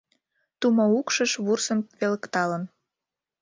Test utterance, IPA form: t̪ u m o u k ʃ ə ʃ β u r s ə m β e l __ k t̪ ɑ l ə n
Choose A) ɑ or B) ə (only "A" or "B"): B